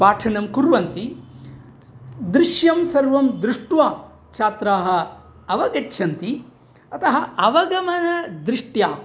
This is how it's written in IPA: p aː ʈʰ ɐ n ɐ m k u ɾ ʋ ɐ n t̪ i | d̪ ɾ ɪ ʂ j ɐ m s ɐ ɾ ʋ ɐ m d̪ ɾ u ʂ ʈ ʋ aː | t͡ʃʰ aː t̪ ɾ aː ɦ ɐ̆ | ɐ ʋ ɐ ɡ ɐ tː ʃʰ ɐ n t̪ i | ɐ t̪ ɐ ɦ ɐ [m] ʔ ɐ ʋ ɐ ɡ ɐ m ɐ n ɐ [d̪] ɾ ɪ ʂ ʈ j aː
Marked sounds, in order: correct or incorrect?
incorrect, correct

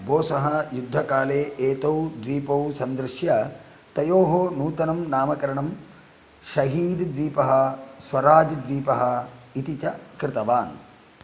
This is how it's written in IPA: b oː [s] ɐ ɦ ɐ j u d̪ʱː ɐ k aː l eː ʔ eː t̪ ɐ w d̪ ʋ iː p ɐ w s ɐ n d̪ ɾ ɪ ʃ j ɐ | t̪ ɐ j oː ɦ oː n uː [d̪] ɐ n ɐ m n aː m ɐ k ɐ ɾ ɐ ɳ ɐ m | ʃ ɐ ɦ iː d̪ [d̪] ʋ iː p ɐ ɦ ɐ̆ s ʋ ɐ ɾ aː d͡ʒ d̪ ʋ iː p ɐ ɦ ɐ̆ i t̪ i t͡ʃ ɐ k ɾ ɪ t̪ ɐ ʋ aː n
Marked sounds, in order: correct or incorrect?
correct, incorrect, correct

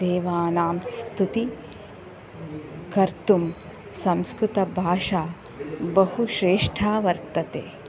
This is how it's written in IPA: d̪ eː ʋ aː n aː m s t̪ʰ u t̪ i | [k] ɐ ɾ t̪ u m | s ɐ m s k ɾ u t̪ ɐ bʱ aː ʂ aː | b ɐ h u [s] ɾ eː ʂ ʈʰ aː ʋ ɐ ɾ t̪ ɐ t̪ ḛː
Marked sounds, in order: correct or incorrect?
correct, incorrect

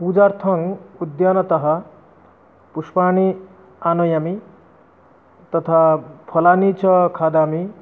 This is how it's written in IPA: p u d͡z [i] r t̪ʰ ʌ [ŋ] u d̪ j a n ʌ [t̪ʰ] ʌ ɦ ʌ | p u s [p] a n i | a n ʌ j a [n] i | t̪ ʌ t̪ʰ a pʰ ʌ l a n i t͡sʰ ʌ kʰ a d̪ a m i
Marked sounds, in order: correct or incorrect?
incorrect, correct, incorrect, correct, incorrect

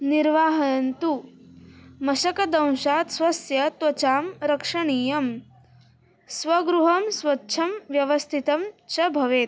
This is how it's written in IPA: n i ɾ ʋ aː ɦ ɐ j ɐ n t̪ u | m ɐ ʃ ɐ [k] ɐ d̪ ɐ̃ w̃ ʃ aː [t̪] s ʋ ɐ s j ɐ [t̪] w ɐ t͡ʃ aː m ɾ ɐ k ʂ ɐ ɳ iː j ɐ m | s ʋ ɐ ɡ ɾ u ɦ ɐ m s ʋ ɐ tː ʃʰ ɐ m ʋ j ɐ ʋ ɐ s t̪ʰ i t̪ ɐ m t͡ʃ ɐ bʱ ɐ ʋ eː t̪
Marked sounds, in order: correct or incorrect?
correct, correct, correct

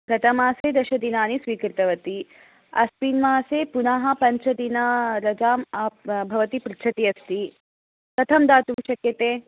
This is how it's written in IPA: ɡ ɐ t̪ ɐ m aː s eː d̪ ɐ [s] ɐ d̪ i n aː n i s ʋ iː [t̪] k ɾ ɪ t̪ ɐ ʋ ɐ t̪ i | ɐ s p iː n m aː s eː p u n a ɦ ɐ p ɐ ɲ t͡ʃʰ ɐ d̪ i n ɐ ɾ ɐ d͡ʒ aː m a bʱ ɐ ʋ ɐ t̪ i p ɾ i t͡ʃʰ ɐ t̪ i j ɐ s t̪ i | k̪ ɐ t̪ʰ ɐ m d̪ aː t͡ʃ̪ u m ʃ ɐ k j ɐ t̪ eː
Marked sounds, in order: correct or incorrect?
incorrect, incorrect

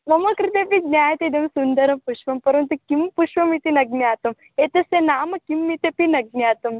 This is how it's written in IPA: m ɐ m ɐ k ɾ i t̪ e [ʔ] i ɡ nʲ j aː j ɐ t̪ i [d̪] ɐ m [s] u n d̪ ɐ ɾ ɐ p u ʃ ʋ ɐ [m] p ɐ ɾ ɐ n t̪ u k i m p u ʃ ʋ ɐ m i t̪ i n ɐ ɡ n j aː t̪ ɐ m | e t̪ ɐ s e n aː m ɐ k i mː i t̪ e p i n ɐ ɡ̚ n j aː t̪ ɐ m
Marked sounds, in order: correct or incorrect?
incorrect, correct, correct, correct

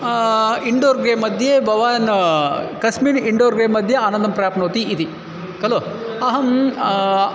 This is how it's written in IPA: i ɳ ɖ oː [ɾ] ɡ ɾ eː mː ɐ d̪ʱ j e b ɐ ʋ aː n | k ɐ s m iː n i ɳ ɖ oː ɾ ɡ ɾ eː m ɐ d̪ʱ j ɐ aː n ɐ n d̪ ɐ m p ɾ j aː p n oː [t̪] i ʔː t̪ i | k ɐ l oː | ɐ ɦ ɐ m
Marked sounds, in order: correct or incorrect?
correct, correct

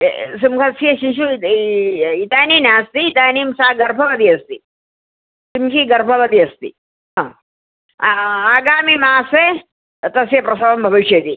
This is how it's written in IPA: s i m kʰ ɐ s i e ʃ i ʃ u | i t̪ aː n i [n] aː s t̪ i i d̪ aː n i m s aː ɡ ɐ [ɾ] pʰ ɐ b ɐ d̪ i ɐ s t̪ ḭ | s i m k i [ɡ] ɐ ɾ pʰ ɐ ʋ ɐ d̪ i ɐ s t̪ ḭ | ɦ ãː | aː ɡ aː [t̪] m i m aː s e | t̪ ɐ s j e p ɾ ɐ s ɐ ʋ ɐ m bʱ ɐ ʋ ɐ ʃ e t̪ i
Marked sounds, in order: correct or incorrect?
correct, correct, correct, incorrect

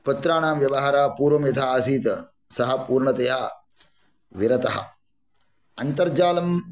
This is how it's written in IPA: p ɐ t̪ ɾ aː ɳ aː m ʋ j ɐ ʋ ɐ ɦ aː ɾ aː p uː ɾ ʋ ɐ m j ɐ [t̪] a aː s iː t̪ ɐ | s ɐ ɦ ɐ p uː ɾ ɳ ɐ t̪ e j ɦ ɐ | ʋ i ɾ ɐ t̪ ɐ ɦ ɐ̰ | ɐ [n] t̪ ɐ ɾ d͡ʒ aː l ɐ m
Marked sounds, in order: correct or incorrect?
incorrect, correct

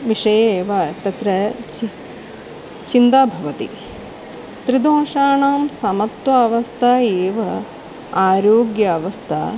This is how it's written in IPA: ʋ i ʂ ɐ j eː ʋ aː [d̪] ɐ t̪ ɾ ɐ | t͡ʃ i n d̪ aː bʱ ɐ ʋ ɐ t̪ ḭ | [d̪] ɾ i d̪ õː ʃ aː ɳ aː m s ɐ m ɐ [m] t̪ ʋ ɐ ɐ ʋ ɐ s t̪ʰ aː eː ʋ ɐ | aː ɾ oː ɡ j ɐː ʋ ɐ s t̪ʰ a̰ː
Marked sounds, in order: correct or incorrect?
incorrect, incorrect, incorrect

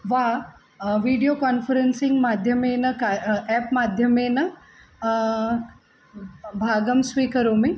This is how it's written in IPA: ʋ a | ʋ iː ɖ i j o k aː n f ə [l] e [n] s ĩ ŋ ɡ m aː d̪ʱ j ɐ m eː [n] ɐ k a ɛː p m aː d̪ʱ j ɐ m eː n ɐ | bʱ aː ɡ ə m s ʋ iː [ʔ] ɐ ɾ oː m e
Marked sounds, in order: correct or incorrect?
incorrect, correct, correct, incorrect

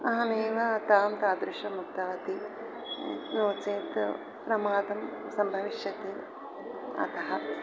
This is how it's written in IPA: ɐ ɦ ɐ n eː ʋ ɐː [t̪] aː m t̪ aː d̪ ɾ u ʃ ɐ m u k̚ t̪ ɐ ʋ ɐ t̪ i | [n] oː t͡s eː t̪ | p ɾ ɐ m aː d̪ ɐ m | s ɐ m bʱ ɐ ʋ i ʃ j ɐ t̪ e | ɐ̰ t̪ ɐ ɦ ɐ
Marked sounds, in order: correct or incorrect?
correct, correct

